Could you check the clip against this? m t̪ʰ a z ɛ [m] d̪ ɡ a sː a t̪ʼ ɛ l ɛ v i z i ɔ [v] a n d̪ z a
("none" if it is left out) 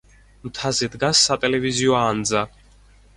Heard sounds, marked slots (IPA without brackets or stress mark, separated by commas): none, none